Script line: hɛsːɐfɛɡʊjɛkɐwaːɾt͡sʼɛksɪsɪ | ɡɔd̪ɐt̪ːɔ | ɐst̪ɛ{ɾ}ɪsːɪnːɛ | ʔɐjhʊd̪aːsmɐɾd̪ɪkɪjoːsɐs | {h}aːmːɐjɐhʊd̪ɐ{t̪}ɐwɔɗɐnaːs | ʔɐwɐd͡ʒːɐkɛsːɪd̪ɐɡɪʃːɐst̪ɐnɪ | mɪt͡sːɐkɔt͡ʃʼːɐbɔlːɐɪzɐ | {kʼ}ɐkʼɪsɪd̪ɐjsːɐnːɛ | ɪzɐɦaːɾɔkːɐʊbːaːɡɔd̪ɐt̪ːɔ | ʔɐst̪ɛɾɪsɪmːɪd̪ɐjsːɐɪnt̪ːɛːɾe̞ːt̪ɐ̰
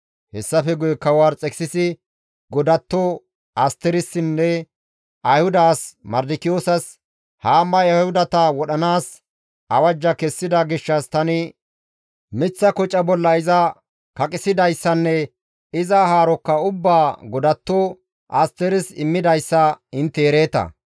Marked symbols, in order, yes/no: yes, yes, yes, no

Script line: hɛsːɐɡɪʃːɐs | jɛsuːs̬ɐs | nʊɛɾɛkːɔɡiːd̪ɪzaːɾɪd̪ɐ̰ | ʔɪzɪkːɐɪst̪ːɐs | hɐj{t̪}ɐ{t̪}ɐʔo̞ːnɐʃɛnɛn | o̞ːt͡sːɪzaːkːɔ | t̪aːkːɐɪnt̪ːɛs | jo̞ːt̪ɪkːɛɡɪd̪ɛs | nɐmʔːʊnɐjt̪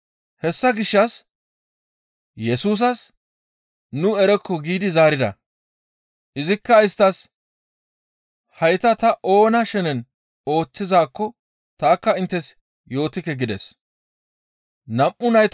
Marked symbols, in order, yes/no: yes, yes

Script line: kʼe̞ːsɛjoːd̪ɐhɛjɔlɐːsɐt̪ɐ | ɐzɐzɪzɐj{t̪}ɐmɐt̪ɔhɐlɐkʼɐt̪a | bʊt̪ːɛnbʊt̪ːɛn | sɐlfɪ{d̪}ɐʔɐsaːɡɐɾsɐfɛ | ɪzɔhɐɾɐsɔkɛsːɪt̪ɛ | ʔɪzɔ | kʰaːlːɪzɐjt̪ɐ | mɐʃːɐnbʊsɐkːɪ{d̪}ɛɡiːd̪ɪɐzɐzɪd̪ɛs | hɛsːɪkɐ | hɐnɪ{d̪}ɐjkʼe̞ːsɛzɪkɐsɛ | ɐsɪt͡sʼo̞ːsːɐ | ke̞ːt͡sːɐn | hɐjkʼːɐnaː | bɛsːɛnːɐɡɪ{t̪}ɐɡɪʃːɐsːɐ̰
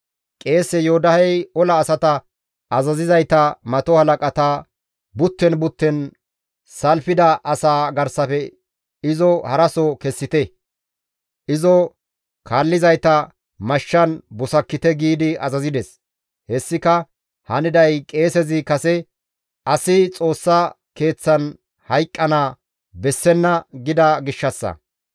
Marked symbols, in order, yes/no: yes, yes, no, yes, no

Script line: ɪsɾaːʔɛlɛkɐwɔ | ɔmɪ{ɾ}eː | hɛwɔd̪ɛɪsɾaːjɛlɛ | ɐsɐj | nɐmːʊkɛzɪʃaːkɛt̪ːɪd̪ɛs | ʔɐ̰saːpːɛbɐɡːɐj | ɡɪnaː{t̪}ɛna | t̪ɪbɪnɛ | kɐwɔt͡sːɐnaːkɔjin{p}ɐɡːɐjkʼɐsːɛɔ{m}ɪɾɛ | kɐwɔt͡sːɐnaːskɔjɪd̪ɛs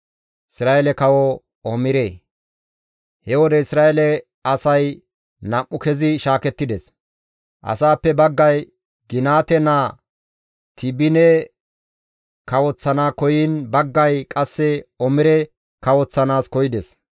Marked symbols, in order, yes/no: yes, yes, no, yes

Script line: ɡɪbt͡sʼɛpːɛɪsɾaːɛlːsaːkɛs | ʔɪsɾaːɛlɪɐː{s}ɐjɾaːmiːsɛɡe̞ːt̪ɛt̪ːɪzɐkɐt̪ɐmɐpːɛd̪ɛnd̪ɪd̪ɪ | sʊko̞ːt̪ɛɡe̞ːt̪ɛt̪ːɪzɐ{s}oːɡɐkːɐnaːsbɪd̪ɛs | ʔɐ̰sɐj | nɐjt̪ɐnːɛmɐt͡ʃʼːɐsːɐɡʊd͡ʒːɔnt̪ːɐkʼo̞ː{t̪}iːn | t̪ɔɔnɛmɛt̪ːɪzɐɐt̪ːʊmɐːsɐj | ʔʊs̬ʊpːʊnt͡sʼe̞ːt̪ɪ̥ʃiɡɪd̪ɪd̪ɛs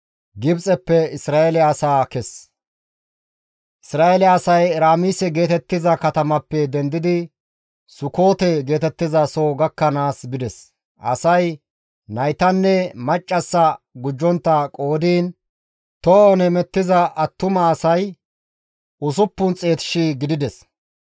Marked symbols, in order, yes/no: yes, yes, no

